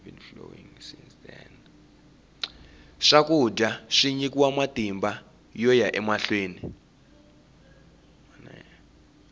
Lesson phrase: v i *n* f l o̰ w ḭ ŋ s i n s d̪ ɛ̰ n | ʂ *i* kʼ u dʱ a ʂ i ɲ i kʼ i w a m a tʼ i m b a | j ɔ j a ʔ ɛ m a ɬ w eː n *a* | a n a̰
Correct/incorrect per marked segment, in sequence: correct, incorrect, incorrect

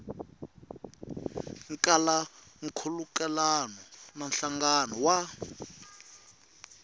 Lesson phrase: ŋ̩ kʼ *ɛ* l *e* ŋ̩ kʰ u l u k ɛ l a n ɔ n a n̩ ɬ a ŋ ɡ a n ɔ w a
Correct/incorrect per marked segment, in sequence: incorrect, incorrect

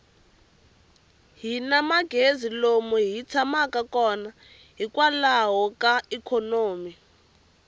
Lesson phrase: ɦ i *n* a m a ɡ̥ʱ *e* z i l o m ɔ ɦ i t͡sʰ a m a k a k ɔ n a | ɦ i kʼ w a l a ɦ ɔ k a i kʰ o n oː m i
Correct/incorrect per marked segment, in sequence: correct, correct

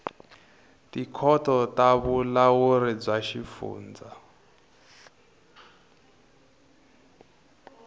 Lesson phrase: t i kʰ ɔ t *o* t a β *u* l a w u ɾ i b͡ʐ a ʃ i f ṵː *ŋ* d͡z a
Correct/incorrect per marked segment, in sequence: incorrect, correct, incorrect

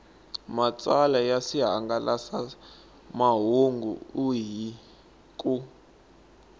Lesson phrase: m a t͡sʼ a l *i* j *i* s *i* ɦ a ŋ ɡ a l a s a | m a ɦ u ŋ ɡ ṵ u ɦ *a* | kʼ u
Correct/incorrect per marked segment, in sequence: incorrect, incorrect, correct, incorrect

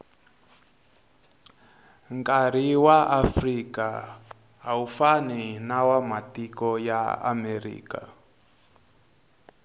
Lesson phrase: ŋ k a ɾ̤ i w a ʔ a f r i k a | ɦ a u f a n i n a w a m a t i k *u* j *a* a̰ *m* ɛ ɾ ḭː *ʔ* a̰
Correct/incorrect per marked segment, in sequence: incorrect, correct, correct, incorrect

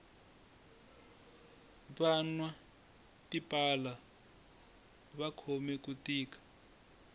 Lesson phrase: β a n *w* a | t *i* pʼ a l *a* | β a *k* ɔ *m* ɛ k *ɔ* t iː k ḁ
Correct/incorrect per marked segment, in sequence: correct, correct, correct, incorrect, correct, incorrect

